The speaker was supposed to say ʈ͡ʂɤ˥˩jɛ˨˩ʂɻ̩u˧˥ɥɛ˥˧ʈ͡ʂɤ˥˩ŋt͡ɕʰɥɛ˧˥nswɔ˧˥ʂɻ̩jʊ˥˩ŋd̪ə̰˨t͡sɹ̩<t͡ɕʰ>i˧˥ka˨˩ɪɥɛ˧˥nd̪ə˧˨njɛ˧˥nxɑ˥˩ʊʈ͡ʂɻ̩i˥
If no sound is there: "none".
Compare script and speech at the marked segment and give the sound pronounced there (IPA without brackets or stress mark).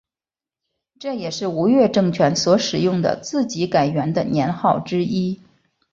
t͡ɕ